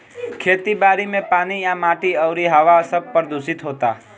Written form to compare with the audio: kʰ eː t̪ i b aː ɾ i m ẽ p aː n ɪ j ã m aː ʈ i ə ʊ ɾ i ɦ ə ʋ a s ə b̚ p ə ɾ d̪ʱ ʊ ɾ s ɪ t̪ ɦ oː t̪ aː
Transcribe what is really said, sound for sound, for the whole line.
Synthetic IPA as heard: kʰ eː t̪ i b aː ɾ i m ẽ p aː n i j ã m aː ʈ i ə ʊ ɾ i ɦ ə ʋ a s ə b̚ p ə ɾ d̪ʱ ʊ s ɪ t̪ ɦ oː t̪ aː